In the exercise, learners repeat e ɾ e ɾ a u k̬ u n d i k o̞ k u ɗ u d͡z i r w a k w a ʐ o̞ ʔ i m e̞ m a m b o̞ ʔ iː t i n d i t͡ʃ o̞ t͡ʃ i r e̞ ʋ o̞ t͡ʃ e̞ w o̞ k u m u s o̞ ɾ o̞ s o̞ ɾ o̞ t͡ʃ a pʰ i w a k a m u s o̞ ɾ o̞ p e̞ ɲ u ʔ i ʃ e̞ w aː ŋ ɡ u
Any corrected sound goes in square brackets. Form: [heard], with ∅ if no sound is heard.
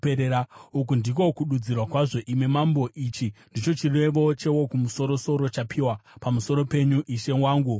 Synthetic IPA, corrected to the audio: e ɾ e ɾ a u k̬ u n d i k o̞ k u ɗ u d͡z i r w a k w a ʐ o̞ ʔ i m e̞ m a m b o̞ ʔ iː [t͡ʃ] i n d i t͡ʃ o̞ t͡ʃ i r e̞ ʋ o̞ t͡ʃ e̞ w o̞ k u m u s o̞ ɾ o̞ s o̞ ɾ o̞ t͡ʃ a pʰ i w a [p] a m u s o̞ ɾ o̞ p e̞ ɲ u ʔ i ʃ e̞ w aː ŋ ɡ u